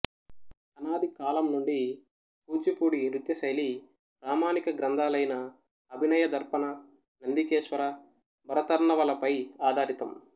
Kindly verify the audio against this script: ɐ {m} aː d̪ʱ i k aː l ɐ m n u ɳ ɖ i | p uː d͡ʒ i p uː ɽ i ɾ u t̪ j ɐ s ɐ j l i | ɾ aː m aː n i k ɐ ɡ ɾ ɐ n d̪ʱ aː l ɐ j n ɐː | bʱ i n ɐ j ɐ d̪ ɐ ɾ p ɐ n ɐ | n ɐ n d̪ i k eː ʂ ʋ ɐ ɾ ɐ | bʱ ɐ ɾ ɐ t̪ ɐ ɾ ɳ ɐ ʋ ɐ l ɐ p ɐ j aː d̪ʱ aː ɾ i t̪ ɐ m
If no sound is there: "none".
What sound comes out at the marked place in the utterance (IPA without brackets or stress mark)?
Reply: n